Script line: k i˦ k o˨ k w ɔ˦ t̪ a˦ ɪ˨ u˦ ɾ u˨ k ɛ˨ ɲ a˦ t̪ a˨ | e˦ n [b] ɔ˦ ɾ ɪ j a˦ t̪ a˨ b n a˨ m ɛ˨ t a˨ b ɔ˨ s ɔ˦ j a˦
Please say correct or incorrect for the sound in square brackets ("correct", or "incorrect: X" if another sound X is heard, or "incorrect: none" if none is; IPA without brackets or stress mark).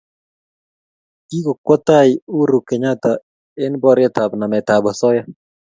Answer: correct